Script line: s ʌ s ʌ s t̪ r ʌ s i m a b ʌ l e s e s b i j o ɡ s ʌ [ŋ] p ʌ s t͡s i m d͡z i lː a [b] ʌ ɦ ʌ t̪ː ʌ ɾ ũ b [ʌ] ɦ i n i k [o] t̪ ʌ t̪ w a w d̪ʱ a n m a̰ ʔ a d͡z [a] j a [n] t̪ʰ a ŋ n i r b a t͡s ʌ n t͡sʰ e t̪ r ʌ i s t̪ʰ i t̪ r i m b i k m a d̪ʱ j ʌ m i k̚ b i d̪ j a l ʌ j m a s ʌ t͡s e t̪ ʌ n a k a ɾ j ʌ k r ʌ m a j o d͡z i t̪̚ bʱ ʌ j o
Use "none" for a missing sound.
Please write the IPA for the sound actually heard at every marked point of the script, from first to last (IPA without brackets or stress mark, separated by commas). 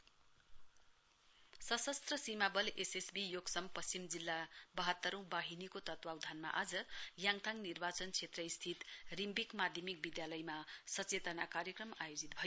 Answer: m, b, a, o, ʌ, ŋ